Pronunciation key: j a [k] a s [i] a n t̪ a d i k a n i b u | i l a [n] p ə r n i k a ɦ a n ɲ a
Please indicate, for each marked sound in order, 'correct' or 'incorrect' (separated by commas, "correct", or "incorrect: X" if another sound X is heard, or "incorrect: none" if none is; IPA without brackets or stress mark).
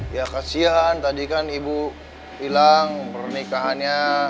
correct, correct, incorrect: ŋ